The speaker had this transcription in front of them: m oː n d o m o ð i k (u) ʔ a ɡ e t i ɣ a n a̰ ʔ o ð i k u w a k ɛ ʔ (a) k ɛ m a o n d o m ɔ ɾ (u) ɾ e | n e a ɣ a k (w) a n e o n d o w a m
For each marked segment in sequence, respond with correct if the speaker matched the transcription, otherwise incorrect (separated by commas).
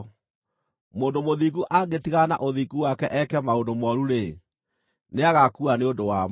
correct, incorrect, correct, incorrect